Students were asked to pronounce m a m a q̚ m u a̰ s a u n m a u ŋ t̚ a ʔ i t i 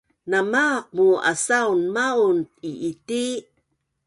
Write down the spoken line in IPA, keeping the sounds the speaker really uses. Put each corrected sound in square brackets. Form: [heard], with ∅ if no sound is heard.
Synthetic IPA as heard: [n] a m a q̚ m u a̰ s a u n m a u [n] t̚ [i] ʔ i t i